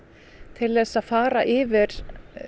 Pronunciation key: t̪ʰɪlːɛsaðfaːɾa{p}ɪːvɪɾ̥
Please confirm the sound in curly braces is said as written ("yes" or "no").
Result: no